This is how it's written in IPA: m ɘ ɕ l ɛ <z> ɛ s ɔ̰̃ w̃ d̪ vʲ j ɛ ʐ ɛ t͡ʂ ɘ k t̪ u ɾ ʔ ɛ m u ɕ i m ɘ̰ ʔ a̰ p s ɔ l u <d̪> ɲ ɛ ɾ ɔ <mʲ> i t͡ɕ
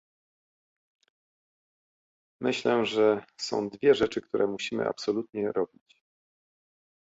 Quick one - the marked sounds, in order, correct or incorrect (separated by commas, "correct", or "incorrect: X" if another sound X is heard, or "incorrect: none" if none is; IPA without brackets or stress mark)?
incorrect: ʐ, incorrect: t̪, incorrect: bʲ